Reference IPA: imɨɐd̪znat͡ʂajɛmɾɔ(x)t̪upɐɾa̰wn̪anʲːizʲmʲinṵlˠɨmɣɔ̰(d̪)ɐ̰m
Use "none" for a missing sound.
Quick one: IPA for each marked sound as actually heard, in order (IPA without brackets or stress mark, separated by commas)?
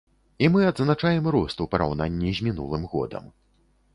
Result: s, d̪